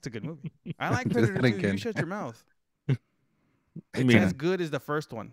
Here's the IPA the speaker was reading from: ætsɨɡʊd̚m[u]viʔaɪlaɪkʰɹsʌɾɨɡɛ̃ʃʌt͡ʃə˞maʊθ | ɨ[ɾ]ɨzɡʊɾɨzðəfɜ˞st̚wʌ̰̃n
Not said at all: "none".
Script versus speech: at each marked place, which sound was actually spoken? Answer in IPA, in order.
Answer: u, none

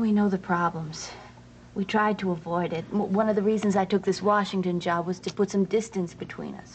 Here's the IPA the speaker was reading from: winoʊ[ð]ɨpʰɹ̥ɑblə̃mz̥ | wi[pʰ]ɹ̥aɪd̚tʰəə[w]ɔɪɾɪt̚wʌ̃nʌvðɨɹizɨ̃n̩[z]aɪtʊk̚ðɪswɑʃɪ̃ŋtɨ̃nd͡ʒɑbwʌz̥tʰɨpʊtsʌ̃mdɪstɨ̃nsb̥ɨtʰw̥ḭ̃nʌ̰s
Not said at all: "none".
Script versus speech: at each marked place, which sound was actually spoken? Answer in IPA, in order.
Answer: ð, tʰ, v, z

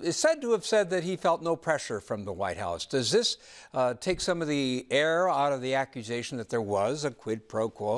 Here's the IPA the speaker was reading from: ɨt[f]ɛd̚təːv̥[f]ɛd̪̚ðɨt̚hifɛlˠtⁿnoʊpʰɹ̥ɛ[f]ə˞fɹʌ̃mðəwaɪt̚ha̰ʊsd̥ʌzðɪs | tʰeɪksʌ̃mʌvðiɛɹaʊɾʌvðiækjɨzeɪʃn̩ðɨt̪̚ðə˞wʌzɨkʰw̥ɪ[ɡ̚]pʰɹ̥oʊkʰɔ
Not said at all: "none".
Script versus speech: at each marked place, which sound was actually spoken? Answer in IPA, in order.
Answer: s, s, ʃ, d̚

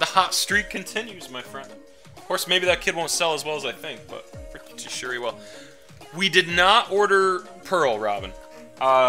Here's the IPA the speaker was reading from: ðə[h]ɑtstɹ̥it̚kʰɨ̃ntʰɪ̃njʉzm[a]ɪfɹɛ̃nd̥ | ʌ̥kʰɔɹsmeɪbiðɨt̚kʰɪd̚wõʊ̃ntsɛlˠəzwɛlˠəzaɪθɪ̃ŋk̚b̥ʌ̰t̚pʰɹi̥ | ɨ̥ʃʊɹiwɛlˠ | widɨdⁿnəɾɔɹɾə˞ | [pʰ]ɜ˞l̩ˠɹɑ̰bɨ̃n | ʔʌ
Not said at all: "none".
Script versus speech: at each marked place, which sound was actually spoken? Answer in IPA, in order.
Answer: h, a, pʰ

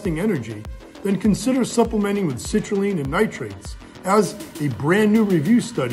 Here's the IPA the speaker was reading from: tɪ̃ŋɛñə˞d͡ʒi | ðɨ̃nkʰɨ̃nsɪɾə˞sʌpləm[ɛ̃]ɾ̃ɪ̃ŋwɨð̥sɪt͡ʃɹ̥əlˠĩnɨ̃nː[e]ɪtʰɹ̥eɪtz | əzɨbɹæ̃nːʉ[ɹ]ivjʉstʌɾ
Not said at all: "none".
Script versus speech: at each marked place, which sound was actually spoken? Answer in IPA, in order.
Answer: ɛ̃, a, ɹ

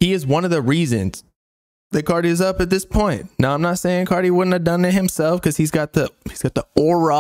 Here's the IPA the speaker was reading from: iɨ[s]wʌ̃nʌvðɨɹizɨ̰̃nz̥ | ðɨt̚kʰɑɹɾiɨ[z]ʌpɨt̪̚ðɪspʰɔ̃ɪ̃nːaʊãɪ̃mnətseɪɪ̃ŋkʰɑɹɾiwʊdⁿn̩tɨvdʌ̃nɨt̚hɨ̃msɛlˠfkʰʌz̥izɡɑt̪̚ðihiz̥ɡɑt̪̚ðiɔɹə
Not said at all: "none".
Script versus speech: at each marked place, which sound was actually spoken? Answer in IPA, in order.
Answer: z, z

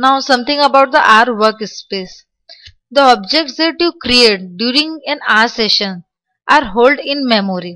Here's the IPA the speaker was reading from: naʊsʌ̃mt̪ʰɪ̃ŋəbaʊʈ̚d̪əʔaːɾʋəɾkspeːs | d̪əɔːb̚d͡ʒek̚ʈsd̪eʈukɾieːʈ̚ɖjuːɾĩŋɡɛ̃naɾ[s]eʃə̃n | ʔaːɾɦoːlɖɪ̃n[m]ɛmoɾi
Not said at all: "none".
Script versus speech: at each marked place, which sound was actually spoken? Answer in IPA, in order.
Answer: s, m

